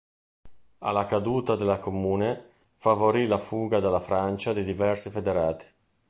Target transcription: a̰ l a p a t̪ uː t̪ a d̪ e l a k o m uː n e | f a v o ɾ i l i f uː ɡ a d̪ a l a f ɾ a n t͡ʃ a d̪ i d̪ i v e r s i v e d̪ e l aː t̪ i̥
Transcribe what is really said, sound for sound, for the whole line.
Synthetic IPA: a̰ l a k a d̪ uː t̪ a d̪ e l a k o m uː n e | f a v o ɾ i l a f uː ɡ a d̪ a l a f ɾ a n t͡ʃ a d̪ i d̪ i v ɛ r s i f e d̪ e ɾ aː t̪ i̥